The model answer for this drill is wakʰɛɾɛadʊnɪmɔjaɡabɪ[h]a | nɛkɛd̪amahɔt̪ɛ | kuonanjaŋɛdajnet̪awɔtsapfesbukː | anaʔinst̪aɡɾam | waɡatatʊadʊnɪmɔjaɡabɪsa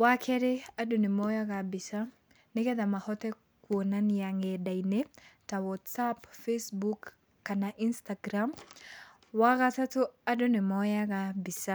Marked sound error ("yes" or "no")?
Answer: yes